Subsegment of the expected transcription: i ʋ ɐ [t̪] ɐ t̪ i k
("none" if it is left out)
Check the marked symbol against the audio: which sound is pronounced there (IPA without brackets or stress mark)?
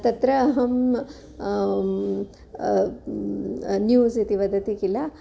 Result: d̪